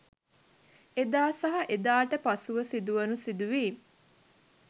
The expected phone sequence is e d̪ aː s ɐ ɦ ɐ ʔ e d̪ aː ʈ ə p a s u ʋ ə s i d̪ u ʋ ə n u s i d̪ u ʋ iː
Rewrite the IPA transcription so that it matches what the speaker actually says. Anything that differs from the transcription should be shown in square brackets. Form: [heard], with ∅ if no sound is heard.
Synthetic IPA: e d̪ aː s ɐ ɦ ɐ ʔ e d̪ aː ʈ ə p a s u ʋ ə s i d̪ u ʋ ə n u s i d̪ u ʋ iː